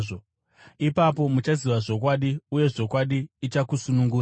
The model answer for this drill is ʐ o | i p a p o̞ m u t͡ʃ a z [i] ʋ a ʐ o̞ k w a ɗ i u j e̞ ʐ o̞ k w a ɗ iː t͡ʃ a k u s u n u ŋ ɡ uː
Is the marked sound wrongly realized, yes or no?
no